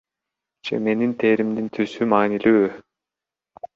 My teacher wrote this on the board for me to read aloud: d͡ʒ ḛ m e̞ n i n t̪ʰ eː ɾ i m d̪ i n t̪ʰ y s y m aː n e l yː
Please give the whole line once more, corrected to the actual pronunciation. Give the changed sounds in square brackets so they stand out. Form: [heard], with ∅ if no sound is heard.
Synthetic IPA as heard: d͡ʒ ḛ m e̞ n i n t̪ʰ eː ɾ i m d̪ i n t̪ʰ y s y m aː n [i] l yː